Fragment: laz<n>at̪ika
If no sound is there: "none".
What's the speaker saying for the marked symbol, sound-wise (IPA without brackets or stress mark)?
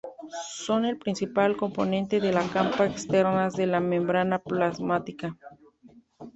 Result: m